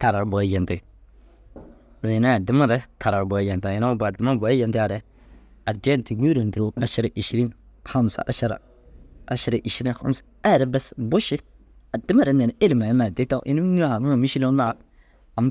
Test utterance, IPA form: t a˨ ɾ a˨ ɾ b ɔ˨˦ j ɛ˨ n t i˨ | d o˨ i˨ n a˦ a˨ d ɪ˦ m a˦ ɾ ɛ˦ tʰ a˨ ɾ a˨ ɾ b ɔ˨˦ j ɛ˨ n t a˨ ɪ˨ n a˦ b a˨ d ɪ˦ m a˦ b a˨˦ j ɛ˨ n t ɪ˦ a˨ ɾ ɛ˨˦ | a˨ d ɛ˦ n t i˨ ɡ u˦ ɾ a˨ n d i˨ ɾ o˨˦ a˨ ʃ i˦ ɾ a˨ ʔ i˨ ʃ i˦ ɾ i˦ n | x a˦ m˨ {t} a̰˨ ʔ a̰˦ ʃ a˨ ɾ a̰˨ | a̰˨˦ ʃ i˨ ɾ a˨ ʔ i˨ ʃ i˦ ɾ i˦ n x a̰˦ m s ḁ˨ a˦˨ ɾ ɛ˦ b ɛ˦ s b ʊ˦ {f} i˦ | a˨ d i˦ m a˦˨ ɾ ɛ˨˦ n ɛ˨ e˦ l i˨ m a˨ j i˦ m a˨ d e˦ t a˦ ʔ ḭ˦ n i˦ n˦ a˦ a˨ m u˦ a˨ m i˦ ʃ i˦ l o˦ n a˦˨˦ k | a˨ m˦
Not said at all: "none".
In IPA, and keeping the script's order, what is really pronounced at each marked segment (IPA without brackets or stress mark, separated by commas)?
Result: s, ʃ